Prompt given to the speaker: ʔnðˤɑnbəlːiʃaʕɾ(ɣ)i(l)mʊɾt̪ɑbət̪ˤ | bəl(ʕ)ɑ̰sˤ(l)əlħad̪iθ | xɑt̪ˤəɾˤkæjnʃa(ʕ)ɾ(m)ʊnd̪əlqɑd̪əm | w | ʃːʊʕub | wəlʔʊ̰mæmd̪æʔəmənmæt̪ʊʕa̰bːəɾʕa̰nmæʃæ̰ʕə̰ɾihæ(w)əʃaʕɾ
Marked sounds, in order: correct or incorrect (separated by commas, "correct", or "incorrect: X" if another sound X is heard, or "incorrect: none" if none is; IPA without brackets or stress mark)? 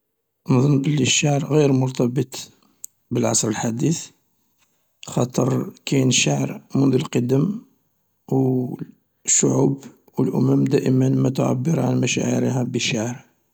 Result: correct, incorrect: ɾ, correct, incorrect: ɾ, correct, correct, incorrect: b